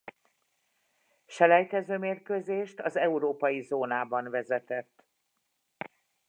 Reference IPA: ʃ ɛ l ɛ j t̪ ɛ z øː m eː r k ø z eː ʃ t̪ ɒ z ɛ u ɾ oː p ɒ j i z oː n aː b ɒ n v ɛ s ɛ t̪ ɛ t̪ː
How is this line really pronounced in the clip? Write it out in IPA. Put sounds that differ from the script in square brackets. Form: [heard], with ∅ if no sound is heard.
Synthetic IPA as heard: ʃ ɛ l ɛ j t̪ ɛ z øː m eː r k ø z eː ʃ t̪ ɒ z ɛ u ɾ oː p ɒ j i z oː n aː b ɒ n v ɛ [z] ɛ t̪ ɛ t̪ː

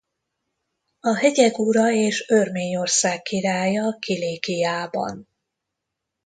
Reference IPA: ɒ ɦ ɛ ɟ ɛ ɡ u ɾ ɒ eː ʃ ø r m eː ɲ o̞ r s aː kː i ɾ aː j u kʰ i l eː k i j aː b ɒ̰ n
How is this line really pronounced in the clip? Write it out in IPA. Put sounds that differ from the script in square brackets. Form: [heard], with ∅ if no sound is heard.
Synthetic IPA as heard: ɒ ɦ ɛ ɟ ɛ ɡ u ɾ ɒ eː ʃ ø r m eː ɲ o̞ r s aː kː i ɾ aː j [ɒ] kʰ i l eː k i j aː b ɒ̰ n

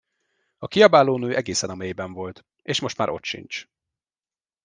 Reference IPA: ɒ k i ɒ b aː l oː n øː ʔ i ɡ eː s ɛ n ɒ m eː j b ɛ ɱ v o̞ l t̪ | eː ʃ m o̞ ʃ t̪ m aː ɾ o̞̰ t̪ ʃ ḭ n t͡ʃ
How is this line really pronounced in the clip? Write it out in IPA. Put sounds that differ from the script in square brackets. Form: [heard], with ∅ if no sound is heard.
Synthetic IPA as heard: ɒ k i ɒ b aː l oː n øː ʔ [ɛ] ɡ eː s ɛ n ɒ m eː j b ɛ ɱ v o̞ l t̪ | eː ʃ m o̞ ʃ t̪ m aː ɾ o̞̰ t̪ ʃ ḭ n t͡ʃ

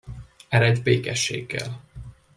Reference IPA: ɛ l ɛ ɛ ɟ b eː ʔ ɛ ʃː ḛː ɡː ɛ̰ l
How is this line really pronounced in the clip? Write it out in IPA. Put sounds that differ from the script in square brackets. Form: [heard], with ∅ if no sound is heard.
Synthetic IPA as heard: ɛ [ɾ] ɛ ɛ ɟ b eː [k] ɛ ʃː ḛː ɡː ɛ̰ l

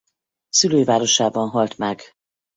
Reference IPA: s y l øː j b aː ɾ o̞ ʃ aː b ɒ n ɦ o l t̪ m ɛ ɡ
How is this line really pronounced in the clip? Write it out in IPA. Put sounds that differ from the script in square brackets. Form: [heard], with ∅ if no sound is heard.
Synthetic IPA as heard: s y l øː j [v] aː ɾ o̞ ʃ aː b ɒ n ɦ [ɒ] l t̪ m ɛ ɡ

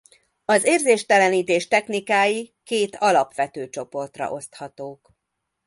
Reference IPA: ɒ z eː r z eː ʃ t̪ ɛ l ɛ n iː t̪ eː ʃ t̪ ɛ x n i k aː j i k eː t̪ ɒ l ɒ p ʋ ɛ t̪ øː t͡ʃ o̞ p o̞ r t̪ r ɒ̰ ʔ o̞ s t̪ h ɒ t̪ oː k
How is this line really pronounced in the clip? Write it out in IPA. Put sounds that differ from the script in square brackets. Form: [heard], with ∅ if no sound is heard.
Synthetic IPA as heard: ɒ z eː r z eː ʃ t̪ ɛ l ɛ n iː t̪ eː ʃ t̪ ɛ x n i k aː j i k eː t̪ ɒ l ɒ p ʋ ɛ t̪ øː t͡ʃ o̞ p o̞ r t̪ r ɒ̰ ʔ o̞ s t̪ h ɒ t̪ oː k

